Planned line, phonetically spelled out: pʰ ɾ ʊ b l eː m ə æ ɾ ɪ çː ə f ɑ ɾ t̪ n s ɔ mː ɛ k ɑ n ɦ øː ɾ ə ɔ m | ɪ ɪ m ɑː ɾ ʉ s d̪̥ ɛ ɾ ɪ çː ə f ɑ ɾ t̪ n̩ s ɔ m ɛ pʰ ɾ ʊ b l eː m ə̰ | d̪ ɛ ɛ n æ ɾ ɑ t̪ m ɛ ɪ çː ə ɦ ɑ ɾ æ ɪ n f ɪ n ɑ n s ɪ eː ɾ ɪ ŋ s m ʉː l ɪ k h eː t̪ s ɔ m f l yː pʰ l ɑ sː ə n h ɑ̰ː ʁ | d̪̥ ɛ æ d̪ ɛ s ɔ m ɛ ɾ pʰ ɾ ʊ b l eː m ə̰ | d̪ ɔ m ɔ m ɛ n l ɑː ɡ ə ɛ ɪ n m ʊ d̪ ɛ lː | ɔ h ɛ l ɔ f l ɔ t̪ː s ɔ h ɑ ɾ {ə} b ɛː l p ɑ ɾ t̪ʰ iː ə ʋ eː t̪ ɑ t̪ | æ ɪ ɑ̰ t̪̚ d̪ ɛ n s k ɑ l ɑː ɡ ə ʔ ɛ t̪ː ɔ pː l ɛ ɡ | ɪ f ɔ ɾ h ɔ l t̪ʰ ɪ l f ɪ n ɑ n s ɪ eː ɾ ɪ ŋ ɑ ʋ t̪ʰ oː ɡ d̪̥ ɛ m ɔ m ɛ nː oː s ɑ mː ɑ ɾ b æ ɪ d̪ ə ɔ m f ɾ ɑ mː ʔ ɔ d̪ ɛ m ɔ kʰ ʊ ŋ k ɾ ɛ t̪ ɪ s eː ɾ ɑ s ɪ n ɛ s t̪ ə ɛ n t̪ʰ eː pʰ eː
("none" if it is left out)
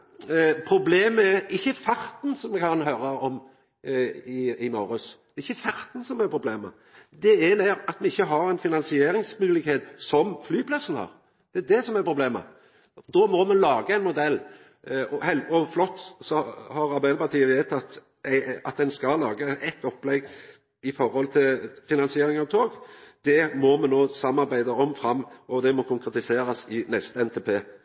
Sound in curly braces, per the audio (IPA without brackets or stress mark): ɑ